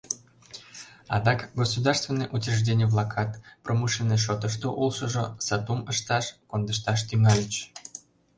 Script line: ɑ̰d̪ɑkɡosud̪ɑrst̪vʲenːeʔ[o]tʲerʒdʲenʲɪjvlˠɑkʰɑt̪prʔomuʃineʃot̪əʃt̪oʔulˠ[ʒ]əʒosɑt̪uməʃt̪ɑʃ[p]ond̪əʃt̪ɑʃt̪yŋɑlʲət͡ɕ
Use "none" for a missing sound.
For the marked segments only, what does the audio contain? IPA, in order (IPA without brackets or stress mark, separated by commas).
u, ʃ, k